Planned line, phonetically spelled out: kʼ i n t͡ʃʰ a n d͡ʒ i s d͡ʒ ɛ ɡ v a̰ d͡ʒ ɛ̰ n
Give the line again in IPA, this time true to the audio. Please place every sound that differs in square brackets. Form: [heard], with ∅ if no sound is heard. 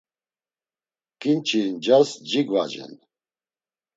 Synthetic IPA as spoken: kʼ i n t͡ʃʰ [i] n d͡ʒ [a] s d͡ʒ [i] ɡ v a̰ d͡ʒ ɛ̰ n